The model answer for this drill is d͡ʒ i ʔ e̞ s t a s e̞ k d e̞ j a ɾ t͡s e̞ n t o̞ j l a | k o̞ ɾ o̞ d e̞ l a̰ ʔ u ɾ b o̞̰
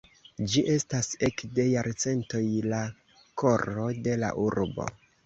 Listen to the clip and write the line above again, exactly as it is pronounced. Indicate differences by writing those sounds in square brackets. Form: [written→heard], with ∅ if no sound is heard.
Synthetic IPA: d͡ʒ i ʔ e̞ s t a s e̞ k d e̞ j a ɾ t͡s e̞ n t o̞ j l a | k o̞ ɾ o̞ d e̞ l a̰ ʔ u ɾ b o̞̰

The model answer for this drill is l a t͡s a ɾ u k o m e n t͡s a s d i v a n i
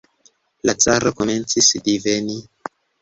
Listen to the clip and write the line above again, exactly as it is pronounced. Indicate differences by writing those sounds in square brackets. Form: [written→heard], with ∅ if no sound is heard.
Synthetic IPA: l a t͡s a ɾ [u→o] k o m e n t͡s [a→i] s d i v [a→e] n i

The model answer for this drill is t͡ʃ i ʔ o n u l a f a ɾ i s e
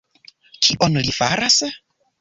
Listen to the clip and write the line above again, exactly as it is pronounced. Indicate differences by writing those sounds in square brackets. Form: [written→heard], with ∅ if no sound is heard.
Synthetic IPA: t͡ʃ i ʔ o n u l [a→i] f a ɾ [i→a] s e

